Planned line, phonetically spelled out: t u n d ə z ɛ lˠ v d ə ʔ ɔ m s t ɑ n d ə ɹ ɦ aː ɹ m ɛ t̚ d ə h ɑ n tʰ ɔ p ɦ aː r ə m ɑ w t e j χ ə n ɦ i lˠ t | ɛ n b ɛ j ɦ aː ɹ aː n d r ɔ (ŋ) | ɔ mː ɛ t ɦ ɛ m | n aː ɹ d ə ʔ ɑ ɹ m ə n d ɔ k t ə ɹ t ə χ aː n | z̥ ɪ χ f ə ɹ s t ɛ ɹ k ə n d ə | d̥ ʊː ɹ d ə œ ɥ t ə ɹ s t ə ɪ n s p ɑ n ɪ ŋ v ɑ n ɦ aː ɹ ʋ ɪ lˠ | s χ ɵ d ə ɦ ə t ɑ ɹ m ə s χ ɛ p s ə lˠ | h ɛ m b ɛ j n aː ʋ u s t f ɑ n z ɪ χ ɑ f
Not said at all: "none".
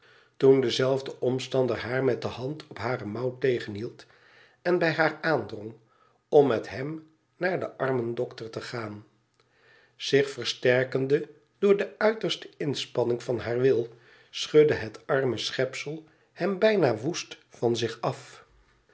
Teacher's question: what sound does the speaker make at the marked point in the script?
ŋ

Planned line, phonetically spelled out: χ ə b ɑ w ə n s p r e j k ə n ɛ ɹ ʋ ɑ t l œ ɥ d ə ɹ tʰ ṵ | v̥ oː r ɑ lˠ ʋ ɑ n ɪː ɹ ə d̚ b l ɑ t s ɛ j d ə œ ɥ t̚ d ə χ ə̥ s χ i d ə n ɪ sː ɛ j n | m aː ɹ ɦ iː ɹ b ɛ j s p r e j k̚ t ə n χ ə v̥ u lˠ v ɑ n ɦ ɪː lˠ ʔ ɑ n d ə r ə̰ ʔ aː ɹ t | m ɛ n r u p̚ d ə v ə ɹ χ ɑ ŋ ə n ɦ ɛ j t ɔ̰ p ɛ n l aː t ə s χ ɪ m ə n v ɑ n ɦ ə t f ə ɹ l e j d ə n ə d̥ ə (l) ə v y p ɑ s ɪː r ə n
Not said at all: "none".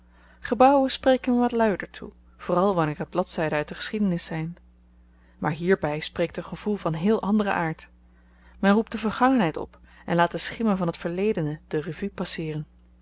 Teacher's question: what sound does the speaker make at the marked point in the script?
r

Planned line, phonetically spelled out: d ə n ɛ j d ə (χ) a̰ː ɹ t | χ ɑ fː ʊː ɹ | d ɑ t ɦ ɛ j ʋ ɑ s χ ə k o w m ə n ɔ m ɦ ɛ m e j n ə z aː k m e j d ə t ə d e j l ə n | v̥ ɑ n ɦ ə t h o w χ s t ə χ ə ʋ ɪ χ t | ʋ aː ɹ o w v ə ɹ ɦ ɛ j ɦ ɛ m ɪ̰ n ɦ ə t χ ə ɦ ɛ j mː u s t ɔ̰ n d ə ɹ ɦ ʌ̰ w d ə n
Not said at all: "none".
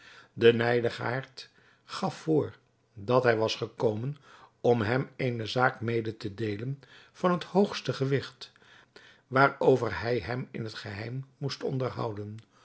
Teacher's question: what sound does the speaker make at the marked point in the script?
χ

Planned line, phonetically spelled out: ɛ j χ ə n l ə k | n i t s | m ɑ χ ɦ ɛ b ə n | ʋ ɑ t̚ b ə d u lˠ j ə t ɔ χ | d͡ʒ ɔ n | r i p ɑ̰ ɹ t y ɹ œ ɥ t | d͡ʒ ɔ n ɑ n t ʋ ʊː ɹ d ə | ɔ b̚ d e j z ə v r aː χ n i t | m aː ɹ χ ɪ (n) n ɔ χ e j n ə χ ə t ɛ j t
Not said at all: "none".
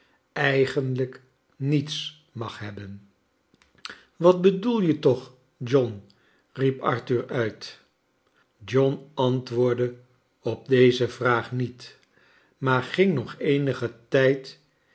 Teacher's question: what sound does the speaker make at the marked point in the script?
ŋ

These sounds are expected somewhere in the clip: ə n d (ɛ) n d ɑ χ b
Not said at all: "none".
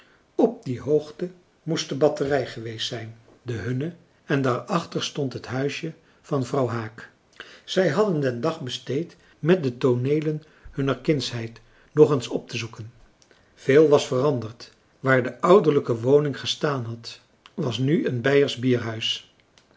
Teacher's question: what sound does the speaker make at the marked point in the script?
ɛ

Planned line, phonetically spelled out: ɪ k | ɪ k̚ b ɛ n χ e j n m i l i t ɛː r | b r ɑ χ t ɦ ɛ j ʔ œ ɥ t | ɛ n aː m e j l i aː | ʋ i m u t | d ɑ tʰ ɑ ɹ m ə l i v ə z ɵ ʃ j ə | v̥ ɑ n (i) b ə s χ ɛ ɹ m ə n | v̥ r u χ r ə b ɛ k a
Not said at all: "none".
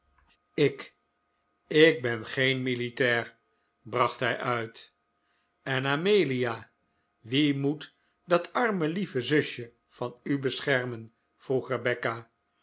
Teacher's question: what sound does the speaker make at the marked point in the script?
y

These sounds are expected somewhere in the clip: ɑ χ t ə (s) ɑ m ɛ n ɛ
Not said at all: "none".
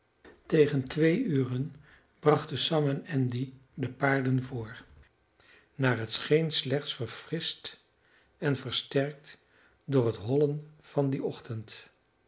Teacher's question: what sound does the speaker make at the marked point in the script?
s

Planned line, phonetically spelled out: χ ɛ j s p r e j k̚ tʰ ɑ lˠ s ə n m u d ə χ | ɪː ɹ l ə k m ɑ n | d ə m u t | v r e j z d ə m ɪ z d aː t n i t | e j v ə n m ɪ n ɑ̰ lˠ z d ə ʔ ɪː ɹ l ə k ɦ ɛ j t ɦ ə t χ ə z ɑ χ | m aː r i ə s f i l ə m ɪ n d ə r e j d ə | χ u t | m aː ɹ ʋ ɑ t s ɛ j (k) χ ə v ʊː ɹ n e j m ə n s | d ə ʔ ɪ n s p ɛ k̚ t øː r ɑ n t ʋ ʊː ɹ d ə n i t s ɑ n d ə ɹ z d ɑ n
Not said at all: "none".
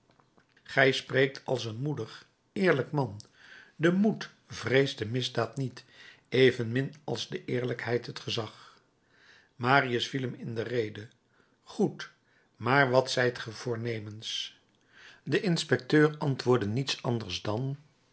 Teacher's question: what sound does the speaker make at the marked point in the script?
t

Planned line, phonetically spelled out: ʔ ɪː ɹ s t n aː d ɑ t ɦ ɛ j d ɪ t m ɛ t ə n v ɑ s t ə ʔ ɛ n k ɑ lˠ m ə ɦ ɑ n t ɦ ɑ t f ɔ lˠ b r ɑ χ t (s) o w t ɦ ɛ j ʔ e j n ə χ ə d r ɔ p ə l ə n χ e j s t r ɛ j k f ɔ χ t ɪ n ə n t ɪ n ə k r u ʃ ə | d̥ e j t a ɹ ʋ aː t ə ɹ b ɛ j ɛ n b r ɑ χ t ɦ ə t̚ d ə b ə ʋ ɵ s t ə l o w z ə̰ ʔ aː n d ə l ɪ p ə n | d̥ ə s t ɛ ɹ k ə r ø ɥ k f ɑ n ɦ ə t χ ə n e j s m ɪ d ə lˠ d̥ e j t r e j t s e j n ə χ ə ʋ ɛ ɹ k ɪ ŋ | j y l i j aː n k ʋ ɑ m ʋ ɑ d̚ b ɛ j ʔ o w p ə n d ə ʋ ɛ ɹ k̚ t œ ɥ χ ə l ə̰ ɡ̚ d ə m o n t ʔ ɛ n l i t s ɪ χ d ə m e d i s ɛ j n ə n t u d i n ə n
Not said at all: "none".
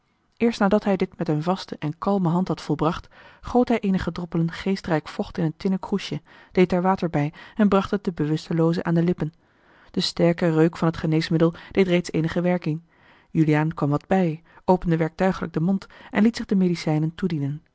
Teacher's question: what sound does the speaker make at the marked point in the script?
χ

